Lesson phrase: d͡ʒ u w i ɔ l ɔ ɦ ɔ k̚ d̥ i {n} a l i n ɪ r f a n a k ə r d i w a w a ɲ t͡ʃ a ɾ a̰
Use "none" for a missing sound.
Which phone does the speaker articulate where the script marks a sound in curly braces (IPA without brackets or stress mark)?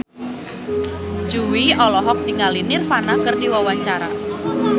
ŋ